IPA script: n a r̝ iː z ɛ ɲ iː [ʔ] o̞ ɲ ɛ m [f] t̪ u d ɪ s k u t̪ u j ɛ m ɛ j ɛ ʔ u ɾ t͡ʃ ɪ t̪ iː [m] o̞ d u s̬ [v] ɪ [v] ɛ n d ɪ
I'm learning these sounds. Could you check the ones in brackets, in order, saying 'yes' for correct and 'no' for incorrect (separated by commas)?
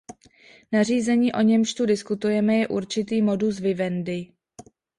yes, no, yes, yes, yes